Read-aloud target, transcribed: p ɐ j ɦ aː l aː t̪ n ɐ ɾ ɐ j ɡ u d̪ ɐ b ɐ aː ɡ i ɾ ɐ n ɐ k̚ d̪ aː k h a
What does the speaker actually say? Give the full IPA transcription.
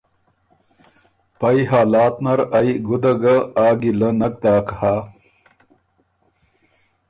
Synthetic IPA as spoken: p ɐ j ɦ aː l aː t̪ n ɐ ɾ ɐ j ɡ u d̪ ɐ ɡ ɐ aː ɡ i l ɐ n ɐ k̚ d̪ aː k h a